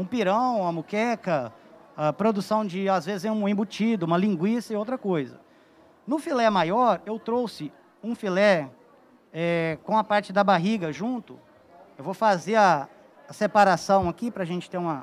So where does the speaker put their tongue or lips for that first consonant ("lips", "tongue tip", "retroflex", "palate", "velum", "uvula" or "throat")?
lips